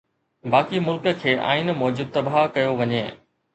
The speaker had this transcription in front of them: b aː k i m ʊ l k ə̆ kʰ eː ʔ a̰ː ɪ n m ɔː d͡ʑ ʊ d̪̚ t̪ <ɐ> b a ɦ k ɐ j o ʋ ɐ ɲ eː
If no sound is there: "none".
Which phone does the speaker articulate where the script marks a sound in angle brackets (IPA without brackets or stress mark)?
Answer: ɐ